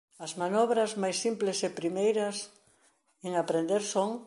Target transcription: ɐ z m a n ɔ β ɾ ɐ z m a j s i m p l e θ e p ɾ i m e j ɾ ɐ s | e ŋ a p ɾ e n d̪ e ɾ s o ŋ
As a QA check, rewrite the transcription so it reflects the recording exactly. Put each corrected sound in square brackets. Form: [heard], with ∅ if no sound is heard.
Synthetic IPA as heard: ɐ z m a n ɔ β ɾ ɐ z m a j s i m p l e [s] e p ɾ i m e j ɾ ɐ s | e ŋ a p ɾ e n d̪ e ɾ s o ŋ